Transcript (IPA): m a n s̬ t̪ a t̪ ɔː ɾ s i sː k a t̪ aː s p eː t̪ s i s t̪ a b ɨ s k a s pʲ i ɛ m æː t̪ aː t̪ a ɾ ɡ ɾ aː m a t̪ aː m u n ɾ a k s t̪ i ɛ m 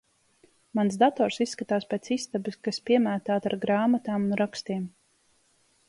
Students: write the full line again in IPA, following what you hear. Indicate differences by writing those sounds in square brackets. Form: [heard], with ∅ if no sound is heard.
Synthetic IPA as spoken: m a n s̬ [d̪] a t̪ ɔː ɾ s i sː k a t̪ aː s p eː t̪ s i s t̪ a b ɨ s k a s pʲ i ɛ m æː t̪ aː t̪ a ɾ ɡ ɾ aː m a t̪ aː m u n ɾ a k s t̪ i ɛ m